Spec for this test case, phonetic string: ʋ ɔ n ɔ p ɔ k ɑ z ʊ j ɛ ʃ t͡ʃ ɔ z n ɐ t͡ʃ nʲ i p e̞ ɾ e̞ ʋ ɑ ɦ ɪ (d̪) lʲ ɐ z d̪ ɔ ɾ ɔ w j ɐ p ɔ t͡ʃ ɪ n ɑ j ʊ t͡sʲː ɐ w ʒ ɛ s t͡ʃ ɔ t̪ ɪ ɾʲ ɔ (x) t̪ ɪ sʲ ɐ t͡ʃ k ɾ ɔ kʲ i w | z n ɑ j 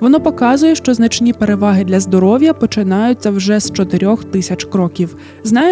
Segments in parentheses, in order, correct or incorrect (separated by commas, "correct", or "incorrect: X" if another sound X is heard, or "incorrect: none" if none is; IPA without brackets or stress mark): correct, correct